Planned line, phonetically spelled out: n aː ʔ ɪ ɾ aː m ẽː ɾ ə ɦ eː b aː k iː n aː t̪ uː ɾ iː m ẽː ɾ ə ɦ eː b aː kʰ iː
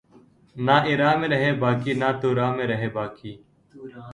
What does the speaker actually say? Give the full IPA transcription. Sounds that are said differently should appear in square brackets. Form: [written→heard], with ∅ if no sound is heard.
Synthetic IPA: n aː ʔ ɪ ɾ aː m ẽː ɾ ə ɦ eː b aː k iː n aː t̪ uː ɾ [iː→aː] m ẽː ɾ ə ɦ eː b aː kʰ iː

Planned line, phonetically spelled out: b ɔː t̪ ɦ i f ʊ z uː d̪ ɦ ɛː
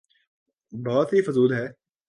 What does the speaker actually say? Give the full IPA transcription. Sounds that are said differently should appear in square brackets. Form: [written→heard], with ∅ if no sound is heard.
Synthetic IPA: b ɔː t̪ ɦ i f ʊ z uː d̪ ɦ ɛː

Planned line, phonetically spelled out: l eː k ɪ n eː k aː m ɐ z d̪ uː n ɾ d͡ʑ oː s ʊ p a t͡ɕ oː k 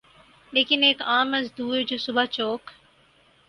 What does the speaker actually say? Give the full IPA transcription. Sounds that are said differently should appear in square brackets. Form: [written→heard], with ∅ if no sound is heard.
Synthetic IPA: l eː k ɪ n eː k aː m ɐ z d̪ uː [n→∅] ɾ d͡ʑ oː s ʊ [p→b] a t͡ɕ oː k

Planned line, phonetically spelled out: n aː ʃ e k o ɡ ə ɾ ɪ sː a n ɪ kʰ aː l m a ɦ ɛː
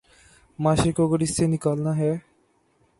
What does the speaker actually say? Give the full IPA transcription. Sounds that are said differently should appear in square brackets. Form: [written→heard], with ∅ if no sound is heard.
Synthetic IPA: [n→m] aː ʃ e k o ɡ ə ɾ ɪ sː [a→e] n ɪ [kʰ→k] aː l [m→n] a ɦ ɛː

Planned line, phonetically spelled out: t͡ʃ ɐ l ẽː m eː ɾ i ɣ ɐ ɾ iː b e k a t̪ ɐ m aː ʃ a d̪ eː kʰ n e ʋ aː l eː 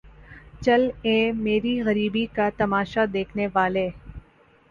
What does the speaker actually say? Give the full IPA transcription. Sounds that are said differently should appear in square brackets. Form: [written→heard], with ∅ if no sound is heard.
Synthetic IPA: t͡ʃ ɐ l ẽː m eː ɾ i ɣ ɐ ɾ iː b [e→i] k a t̪ ɐ m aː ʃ a d̪ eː kʰ n e ʋ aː l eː

